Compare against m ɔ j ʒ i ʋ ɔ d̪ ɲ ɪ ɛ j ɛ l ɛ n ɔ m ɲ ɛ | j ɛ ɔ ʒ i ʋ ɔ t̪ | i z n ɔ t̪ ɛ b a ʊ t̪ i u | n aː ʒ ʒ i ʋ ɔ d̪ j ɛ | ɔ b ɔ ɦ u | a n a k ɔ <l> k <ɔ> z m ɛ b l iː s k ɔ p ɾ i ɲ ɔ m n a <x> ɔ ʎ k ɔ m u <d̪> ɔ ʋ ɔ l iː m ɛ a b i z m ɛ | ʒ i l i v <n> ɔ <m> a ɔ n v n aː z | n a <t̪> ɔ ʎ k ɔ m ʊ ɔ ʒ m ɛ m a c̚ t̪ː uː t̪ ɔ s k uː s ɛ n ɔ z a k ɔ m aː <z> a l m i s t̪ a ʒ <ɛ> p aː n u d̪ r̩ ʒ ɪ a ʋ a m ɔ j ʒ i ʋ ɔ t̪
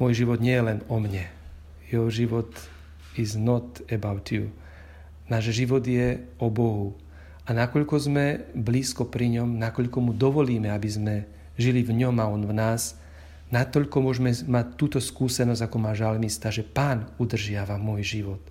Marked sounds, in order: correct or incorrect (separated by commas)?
incorrect, correct, incorrect, correct, incorrect, correct, correct, incorrect, correct